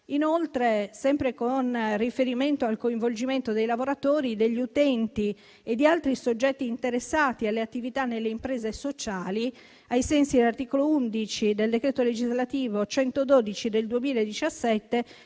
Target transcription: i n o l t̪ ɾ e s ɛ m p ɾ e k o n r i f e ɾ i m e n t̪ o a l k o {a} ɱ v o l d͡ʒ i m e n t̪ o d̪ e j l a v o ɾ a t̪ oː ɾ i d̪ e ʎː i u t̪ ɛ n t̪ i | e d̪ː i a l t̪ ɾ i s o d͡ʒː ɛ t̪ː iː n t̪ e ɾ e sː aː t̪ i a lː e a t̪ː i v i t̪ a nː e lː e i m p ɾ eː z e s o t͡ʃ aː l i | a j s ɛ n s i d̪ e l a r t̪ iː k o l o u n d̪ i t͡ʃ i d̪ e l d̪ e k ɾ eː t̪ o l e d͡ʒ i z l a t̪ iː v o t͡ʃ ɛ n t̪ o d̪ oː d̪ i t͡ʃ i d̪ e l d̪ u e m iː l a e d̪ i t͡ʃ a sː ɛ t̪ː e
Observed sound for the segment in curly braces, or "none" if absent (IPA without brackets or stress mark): i